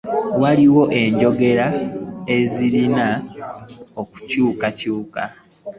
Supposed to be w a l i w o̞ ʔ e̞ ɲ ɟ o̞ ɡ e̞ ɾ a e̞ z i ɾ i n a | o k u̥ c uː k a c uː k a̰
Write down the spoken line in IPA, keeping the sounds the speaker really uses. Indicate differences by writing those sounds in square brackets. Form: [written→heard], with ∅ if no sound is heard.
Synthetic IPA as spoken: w a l i w o̞ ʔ e̞ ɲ ɟ o̞ ɡ e̞ ɾ a e̞ z i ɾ i n a | o k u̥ c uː k a c uː k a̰